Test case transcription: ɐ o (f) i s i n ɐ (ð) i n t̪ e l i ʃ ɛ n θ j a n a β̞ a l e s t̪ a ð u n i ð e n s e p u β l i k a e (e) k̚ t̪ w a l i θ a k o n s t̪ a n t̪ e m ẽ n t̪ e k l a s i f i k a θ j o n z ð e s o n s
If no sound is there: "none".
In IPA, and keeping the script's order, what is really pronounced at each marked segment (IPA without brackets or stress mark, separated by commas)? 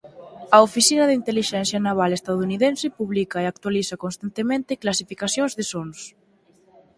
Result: f, ð, a